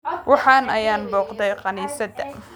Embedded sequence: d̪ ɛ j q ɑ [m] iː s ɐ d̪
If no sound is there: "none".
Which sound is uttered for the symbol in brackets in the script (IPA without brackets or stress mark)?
n